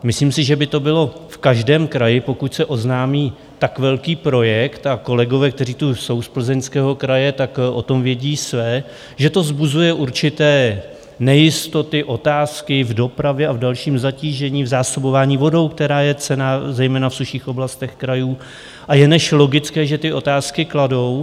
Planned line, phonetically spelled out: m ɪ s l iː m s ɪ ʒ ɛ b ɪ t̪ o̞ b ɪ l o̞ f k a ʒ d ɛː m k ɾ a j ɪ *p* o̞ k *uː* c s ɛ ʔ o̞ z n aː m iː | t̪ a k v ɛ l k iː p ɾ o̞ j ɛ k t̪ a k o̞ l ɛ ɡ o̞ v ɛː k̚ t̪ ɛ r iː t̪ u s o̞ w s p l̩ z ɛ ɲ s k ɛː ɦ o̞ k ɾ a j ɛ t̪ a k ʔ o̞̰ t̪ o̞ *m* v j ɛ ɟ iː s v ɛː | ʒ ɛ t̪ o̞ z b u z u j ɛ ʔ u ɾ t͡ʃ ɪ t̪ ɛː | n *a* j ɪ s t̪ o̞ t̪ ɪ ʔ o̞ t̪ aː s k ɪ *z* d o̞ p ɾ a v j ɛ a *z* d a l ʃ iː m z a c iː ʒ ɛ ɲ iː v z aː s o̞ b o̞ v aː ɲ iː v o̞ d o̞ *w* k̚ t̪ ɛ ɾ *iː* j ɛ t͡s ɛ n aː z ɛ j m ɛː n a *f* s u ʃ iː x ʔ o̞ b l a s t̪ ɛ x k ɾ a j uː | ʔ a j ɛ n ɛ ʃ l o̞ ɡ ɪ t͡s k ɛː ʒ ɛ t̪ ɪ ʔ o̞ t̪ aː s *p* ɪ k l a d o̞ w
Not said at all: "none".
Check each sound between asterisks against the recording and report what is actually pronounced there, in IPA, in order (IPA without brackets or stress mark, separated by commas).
p, u, m, ɛ, v, v, w, aː, f, k